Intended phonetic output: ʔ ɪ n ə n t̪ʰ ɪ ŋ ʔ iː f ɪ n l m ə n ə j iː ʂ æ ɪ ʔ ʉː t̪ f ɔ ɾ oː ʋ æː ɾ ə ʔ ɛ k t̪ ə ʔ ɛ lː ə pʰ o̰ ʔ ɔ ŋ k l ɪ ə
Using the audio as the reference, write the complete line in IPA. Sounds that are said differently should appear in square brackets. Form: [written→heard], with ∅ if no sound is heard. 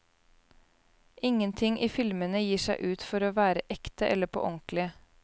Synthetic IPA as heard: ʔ ɪ [n→ŋ] ə n t̪ʰ ɪ ŋ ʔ iː f ɪ [n→∅] l m ə n ə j iː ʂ æ ɪ ʔ ʉː t̪ f ɔ ɾ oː ʋ æː ɾ ə ʔ ɛ k t̪ ə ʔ ɛ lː ə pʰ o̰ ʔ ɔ ŋ k l ɪ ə